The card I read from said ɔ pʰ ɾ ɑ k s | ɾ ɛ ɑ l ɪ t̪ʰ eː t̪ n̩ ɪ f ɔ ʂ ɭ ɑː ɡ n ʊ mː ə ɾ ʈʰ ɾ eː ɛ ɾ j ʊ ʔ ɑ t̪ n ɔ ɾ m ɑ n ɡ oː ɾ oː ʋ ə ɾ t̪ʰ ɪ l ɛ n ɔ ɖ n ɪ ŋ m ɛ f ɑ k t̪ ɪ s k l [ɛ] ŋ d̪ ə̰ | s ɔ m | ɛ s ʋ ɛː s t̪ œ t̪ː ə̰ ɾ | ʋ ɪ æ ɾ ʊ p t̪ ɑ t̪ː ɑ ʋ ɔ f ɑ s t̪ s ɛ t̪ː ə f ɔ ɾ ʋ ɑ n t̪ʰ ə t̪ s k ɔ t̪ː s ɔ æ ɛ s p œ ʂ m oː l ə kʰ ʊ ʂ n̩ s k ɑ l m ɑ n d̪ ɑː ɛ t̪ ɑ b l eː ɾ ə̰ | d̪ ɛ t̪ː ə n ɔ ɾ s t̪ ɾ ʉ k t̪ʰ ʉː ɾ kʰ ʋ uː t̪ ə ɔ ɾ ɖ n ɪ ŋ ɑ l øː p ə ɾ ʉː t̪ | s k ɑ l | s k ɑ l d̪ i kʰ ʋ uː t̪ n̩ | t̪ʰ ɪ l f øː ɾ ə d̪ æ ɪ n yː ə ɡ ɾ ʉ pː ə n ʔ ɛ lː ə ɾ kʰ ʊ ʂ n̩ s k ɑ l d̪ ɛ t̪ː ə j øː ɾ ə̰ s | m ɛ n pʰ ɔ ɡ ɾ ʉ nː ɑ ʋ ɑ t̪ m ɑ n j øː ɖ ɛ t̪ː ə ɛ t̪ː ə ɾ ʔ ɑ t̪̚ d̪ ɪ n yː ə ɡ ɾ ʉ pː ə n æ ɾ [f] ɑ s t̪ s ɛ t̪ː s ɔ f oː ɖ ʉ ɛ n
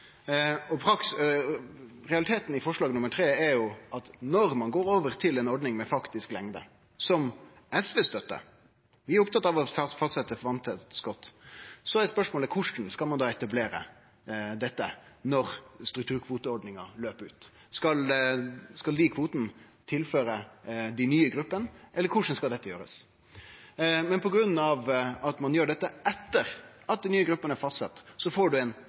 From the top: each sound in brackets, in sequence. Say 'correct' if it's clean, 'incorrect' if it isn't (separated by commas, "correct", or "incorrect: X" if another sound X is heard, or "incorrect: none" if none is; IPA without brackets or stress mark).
correct, correct